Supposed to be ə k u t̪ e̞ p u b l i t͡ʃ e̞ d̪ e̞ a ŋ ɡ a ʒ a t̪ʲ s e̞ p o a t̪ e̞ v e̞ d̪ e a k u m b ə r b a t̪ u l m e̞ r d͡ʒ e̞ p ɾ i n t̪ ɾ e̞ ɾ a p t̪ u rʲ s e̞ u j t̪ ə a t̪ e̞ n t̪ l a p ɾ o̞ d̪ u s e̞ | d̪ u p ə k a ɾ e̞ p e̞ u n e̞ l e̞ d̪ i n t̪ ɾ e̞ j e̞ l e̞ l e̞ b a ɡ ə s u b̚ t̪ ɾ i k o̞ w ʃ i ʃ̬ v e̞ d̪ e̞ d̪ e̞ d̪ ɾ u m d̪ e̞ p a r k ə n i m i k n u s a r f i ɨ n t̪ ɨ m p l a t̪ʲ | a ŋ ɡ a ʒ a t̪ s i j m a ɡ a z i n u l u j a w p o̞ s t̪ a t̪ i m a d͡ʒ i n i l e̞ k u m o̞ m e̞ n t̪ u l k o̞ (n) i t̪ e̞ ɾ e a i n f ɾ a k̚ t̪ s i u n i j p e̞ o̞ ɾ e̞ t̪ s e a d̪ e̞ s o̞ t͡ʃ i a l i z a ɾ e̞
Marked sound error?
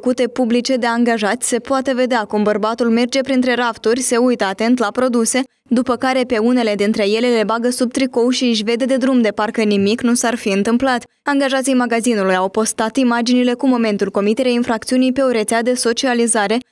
yes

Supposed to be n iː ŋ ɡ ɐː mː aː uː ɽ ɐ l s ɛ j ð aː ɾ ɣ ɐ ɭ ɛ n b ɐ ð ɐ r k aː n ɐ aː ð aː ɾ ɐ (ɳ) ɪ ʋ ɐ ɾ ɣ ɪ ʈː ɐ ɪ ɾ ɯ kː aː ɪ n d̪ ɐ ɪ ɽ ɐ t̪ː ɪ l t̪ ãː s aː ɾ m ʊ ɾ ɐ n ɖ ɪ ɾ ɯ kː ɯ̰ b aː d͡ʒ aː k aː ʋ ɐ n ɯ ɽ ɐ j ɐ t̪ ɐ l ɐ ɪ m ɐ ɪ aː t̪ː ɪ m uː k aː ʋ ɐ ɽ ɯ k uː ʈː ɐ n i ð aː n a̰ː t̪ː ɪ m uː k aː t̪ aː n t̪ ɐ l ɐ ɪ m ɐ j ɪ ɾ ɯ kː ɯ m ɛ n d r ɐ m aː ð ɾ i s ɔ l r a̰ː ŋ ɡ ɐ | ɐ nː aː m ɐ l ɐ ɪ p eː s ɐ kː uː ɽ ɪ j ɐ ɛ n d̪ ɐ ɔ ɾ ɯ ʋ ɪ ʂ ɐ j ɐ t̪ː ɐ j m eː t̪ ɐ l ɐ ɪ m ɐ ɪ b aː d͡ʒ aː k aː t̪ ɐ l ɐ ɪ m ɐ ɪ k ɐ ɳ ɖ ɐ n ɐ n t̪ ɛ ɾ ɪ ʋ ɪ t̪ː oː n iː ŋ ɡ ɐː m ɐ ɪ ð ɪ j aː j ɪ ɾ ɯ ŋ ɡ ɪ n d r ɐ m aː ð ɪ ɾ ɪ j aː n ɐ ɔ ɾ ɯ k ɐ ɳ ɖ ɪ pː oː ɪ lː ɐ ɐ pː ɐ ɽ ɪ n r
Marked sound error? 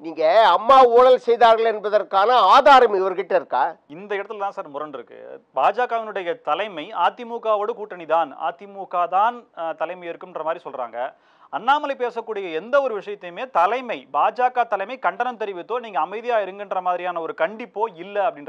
yes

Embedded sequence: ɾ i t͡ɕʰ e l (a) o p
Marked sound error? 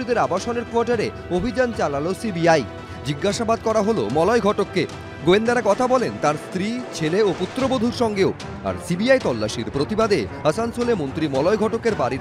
yes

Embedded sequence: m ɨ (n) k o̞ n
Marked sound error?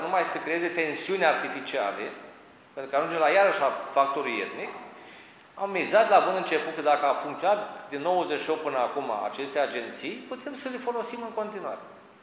yes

